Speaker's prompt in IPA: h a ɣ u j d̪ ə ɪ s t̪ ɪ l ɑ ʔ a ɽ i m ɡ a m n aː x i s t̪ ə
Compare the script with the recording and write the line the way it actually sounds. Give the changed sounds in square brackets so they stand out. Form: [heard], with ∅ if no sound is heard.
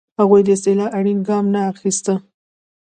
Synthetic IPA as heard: h a ɣ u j d̪ ə ɪ s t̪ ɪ l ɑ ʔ a ɽ i [n] ɡ [ɑ] m n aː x i s t̪ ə